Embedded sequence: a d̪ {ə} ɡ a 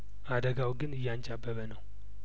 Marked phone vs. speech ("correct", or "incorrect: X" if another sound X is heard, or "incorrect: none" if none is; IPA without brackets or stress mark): correct